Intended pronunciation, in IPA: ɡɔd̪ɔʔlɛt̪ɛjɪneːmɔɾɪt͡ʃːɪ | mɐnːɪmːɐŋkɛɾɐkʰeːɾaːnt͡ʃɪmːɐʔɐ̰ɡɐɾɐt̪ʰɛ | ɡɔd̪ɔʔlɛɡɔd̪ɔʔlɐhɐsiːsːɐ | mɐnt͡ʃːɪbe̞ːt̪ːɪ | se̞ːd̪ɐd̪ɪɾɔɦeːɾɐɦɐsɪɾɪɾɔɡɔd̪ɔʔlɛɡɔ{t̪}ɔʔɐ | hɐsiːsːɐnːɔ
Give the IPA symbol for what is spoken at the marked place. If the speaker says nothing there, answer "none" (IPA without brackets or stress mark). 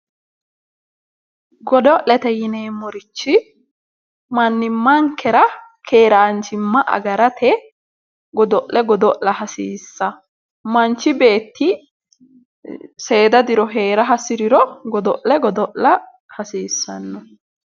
d̪